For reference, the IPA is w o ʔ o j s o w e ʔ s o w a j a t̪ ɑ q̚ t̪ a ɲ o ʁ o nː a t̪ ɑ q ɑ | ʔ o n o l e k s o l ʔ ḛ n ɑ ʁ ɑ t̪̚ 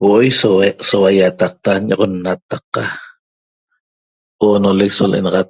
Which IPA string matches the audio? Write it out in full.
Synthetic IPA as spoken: w o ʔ o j s o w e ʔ s o w a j a t̪ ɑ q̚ t̪ a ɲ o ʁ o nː a t̪ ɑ q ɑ | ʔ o n o l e k s o l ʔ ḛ n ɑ ʁ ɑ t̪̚